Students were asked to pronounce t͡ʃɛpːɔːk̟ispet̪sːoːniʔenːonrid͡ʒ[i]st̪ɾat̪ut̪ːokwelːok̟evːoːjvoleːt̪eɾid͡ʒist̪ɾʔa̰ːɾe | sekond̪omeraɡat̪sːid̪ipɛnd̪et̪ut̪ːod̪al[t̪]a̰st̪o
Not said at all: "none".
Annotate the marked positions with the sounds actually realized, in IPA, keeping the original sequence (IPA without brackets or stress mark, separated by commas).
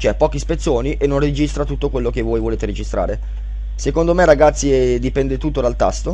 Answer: i, t̪